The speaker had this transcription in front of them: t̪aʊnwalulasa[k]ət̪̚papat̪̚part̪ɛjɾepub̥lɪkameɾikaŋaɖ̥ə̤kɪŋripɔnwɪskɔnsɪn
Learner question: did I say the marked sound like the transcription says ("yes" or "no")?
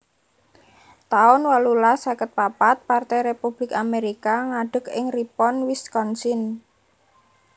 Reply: yes